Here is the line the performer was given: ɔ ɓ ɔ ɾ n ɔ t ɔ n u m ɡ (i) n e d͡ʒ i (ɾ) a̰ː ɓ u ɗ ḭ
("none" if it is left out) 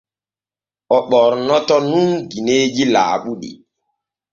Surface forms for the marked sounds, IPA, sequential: i, l

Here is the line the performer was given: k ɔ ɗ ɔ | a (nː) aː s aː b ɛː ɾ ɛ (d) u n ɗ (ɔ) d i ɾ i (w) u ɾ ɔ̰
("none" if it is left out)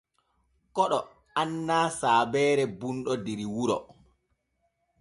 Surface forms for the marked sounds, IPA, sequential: nː, b, ɔ, w

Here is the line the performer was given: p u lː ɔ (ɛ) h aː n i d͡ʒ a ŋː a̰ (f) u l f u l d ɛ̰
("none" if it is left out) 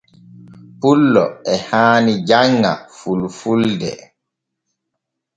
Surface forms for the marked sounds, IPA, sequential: ɛ, f

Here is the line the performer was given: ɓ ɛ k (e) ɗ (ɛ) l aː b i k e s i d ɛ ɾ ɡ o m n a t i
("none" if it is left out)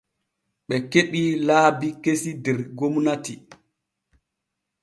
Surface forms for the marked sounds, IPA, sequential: e, i

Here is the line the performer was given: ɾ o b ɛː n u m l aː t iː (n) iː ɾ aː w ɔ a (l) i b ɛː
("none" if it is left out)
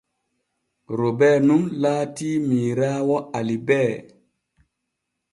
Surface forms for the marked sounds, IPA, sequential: m, l

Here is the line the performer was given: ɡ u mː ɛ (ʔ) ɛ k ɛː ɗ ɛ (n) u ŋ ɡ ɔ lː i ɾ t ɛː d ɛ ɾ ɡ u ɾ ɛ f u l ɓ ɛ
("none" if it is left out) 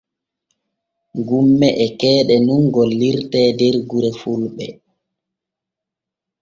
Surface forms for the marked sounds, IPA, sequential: ʔ, n

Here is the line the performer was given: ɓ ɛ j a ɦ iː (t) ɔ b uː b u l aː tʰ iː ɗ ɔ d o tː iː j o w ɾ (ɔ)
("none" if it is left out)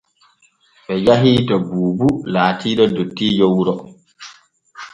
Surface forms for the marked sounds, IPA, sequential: t, ɔ

